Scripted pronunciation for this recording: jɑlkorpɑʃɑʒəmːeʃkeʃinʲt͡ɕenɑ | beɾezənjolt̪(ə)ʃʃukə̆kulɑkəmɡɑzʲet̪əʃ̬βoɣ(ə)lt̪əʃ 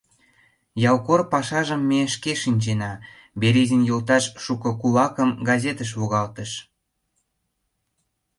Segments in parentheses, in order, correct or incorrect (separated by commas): incorrect, incorrect